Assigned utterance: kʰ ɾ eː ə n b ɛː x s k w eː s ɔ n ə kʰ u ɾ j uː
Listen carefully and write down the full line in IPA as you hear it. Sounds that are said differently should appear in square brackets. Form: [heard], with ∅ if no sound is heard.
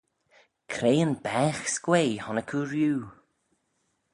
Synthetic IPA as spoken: kʰ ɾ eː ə n b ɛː x s k w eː [h] ɔ n ə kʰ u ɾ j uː